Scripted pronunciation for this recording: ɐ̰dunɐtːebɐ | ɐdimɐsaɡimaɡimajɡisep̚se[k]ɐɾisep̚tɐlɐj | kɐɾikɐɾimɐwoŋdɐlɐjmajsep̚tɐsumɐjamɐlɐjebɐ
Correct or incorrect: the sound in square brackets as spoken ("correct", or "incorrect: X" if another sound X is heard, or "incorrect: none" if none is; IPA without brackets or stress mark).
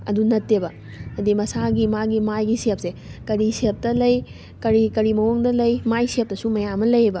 correct